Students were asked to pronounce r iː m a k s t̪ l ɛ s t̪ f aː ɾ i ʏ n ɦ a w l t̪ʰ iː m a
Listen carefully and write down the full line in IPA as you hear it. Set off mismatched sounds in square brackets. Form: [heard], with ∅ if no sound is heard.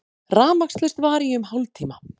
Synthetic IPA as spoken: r [aː] m a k s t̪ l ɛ s t̪ [v] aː ɾ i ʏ [m] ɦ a w l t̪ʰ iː m a